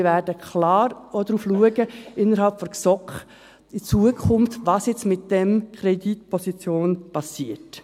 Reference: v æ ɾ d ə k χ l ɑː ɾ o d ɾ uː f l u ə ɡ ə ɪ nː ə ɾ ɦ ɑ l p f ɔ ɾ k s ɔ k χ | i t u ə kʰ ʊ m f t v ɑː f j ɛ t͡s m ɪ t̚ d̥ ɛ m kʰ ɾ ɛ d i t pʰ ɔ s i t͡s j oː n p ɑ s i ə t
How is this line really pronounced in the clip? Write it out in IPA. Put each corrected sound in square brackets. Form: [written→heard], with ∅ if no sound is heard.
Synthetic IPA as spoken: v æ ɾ d ə k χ l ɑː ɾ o d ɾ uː f l u ə ɡ ə ɪ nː ə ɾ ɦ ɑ l p f ɔ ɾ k s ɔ k χ | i [t→t͡s] u ə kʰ ʊ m f t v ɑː [f→s] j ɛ t͡s m ɪ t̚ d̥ ɛ m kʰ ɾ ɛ d i t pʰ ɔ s i t͡s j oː n p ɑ s i ə t